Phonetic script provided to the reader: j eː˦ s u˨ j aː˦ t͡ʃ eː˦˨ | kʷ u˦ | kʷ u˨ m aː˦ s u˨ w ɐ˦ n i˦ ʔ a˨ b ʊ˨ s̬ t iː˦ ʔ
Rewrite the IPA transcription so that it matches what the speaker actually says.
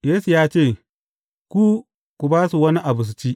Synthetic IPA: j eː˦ s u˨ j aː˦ t͡ʃ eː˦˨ | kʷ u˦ | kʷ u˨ b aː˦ s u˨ w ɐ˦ n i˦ ʔ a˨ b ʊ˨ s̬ t͡ʃ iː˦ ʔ